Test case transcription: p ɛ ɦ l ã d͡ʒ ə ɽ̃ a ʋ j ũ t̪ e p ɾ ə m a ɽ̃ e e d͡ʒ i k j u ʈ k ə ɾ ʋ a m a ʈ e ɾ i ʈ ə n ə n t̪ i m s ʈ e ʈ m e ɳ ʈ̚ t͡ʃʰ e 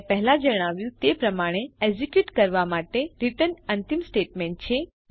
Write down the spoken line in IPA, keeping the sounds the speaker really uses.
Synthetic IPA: p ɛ ɦ l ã d͡ʒ ə ɽ̃ a ʋ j ũ t̪ e p ɾ ə m a ɽ̃ e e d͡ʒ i k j u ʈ k ə ɾ ʋ a m a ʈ e ɾ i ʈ ə n ə n t̪ i m s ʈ e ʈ m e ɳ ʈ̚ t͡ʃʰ e